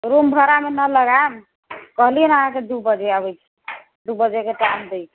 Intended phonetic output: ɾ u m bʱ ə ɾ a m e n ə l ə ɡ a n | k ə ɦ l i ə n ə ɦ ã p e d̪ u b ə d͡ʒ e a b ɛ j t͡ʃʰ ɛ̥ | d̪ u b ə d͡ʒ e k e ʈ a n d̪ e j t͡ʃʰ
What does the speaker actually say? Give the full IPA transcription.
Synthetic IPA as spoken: ɾ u m bʱ ə ɾ a m e n ə l ə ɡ a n | k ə ɦ l i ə n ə ɦ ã k e d̪ u b ə d͡ʒ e a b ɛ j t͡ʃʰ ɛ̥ | d̪ u b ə d͡ʒ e k e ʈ a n d̪ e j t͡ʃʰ